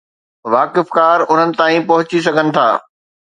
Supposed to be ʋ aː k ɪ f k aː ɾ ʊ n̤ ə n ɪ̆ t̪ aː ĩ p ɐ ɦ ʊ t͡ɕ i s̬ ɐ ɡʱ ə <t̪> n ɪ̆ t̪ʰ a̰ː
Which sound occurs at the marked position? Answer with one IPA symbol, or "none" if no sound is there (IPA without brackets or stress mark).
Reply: none